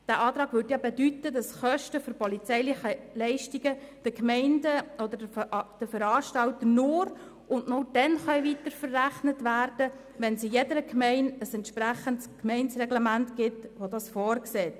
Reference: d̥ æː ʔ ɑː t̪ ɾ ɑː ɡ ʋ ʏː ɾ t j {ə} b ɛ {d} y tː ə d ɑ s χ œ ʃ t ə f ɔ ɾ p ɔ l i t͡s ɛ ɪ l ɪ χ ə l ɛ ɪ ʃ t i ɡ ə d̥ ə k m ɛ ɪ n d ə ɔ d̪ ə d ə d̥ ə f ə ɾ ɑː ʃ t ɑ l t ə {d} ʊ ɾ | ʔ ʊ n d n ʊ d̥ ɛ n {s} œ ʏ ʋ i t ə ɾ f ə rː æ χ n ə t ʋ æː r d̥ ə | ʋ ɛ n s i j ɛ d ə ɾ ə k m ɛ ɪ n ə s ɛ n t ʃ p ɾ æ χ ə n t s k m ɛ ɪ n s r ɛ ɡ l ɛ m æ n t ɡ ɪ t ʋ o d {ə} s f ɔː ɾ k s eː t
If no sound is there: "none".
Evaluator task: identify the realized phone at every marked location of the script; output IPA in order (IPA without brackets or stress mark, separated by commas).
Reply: ɑ, d, n, χ, ɑ